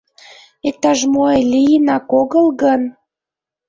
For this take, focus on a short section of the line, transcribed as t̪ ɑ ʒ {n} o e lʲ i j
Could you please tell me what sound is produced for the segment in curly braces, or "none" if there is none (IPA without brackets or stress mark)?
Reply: m